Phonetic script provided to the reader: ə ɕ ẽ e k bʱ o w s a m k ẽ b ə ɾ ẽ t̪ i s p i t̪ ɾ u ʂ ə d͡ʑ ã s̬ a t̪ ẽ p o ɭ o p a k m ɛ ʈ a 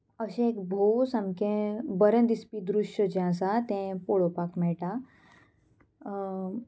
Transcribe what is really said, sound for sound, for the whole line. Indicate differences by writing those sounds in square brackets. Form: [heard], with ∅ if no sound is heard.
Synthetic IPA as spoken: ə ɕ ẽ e k bʱ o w s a m k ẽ b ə ɾ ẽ [d̪] i s p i [d̪] ɾ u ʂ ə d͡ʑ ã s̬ a t̪ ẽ p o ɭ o p a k m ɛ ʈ a